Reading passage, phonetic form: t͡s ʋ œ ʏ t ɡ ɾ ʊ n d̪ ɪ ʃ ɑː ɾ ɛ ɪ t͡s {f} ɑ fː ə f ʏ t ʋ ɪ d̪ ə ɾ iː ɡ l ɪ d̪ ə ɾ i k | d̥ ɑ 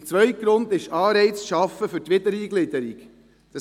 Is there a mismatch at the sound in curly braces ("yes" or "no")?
yes